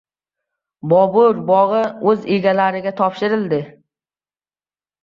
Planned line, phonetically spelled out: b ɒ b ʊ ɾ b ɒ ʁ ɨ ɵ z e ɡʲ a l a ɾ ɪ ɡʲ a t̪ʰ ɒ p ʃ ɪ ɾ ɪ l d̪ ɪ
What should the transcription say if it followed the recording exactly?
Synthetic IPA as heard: b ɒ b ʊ ɾ b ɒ ʁ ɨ ɵ z e ɡʲ a l a ɾ ɪ ɡʲ a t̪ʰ ɒ p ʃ ɪ ɾ ɪ l d̪ ɪ